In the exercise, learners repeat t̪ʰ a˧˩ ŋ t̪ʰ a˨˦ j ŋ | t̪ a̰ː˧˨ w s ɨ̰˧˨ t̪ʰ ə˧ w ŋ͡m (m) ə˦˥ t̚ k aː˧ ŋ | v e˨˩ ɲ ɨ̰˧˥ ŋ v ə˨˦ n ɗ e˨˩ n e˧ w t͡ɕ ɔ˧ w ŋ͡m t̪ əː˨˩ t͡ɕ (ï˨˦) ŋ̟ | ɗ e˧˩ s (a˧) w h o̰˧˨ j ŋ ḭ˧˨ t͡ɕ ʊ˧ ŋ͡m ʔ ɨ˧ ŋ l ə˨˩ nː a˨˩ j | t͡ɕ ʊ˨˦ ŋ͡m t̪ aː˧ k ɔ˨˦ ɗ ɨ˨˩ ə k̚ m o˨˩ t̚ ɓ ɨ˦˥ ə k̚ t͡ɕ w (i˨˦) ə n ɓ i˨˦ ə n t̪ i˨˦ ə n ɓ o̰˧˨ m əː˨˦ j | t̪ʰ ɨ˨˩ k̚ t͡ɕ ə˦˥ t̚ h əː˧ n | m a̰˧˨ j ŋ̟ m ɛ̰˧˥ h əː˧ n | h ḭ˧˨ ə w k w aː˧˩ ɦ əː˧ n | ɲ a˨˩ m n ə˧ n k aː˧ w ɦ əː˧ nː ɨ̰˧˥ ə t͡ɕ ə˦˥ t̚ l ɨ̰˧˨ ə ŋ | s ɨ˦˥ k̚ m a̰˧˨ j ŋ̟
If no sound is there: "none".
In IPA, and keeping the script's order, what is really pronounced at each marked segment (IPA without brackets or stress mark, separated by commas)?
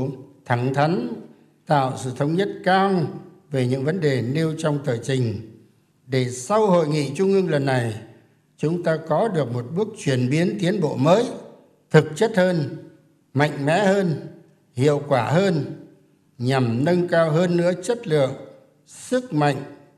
ɲ, ï˨˩, a˧, i˧˩